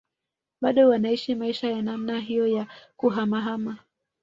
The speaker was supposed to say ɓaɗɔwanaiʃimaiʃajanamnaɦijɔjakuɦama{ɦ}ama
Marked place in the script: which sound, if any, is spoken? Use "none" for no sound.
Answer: ɦ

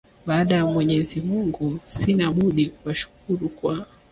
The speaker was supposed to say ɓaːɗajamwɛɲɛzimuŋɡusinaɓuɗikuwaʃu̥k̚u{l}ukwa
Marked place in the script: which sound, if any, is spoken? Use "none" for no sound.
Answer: ɾ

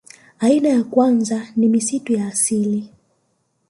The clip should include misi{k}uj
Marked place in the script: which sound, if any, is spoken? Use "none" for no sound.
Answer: t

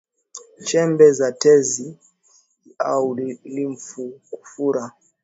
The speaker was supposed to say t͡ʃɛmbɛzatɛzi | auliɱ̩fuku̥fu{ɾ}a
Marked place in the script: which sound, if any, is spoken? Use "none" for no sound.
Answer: ɾ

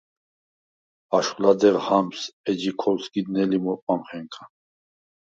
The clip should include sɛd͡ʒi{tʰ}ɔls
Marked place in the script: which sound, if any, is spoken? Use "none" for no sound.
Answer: kʰ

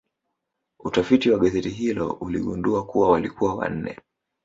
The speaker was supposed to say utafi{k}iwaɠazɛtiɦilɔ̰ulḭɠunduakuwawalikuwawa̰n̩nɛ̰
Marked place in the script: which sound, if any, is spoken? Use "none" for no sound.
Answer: t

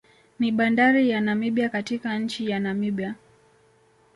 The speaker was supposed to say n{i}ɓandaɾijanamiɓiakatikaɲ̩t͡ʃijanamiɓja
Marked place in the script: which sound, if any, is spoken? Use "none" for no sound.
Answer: i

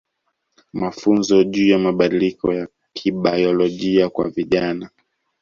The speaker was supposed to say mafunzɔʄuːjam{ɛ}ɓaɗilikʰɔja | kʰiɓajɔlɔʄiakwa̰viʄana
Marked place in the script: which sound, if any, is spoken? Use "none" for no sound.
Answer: a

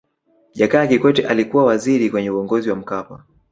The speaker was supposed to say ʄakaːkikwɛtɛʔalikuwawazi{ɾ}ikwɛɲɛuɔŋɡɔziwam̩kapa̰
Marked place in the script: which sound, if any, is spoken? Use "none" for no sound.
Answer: ɾ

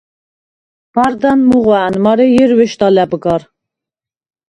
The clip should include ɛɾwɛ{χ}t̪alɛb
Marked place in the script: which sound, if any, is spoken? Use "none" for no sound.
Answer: ʃ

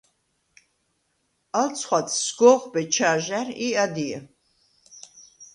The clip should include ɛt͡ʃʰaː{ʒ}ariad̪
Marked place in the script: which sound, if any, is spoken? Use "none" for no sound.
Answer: ʒ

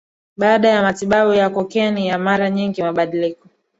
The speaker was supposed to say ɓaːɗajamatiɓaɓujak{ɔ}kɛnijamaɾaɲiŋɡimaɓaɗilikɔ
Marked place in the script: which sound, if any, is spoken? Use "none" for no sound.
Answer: ɔ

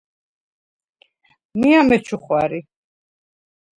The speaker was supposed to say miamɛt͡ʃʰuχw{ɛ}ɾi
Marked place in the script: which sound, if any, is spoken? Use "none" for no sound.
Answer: a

